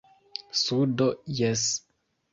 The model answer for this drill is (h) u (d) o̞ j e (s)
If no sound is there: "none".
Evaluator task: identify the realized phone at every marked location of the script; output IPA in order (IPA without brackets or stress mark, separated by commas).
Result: s, d, s